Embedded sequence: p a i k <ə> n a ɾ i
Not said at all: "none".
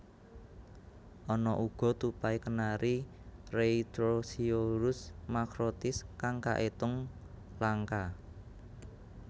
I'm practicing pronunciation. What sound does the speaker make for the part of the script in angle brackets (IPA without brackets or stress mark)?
ə